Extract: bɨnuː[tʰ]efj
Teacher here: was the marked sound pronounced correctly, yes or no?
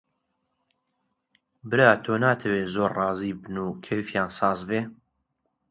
no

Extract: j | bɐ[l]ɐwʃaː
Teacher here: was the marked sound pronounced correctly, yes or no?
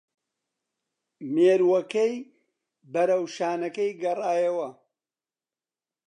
no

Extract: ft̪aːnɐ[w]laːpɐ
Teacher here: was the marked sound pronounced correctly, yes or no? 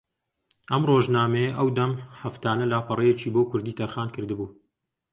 no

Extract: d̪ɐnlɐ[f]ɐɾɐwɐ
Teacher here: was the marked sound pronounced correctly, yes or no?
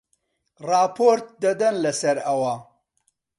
no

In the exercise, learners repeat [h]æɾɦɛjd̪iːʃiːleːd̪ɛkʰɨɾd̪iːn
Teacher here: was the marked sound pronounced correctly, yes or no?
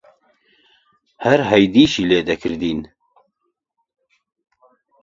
yes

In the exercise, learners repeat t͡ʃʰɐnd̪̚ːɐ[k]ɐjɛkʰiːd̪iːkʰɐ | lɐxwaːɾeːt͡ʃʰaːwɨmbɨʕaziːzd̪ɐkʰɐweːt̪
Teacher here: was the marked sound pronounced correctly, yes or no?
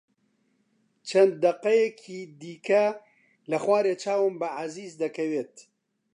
no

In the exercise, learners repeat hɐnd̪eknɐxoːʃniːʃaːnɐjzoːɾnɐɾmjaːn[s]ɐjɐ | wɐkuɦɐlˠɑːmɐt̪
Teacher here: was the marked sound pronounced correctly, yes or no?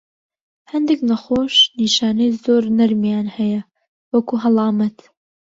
no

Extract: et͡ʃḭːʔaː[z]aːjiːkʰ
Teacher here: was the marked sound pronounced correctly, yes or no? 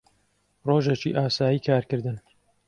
no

